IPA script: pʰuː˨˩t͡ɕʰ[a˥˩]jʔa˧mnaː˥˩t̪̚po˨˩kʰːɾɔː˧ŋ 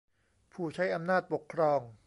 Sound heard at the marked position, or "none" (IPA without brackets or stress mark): a˦˥